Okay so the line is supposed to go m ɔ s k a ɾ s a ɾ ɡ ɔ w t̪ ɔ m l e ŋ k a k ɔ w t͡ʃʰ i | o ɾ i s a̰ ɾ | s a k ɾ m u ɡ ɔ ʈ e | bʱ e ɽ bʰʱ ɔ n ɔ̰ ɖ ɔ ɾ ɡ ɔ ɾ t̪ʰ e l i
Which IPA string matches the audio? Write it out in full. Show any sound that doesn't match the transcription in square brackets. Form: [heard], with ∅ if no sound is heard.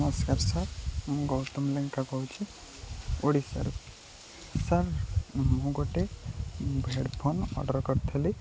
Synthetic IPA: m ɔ s k a ɾ s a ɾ ɡ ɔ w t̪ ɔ m l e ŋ k a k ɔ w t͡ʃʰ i | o [ɽ] i s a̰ ɾ | s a [∅] ɾ m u ɡ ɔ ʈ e | bʱ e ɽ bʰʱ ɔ n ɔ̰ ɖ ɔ ɾ [k] ɔ ɾ t̪ʰ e l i